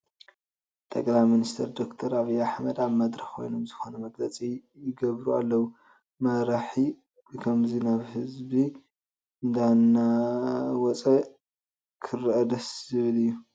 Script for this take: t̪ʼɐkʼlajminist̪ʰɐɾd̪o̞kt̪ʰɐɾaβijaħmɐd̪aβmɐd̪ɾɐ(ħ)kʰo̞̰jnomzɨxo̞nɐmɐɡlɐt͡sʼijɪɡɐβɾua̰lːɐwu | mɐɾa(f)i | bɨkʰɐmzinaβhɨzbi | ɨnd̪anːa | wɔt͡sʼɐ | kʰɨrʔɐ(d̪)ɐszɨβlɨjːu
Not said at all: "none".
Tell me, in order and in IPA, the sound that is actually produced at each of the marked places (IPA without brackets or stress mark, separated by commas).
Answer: x, ħ, d̪